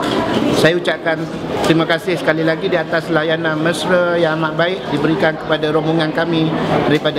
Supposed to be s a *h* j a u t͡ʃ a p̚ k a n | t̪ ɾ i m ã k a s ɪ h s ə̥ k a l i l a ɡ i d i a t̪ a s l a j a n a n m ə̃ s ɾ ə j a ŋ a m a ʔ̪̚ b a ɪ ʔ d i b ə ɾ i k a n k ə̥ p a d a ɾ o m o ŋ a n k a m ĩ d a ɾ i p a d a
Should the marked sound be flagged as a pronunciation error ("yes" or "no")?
yes